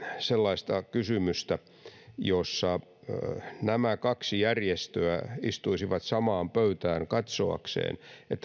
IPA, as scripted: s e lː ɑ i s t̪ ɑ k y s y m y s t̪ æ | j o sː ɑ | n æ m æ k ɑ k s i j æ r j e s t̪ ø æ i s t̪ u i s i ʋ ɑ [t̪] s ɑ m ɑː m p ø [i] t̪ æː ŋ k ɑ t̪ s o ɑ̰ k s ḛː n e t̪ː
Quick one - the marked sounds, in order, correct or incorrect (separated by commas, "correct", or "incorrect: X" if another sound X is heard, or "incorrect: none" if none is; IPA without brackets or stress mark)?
correct, incorrect: y